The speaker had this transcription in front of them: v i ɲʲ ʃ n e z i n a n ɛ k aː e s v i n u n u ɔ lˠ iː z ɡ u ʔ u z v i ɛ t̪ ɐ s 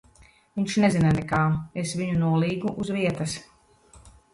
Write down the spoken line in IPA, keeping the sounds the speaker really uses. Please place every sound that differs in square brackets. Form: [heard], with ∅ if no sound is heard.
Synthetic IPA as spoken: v i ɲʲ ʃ n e z i n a n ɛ k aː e s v i [ɲ] u n u ɔ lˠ iː [∅] ɡ u ʔ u z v i ɛ t̪ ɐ s